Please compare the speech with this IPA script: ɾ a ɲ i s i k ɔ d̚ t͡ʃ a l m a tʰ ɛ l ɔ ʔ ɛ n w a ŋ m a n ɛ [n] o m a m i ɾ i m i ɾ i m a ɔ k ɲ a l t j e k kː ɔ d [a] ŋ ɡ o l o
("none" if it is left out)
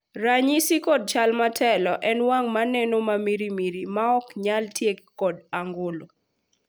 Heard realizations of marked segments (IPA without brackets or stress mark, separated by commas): n, a